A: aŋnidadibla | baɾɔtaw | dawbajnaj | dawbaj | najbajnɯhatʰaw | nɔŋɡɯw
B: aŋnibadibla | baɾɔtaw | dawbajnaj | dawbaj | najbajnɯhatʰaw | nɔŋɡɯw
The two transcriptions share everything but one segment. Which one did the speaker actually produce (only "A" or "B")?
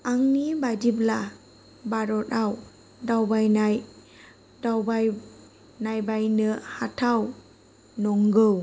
B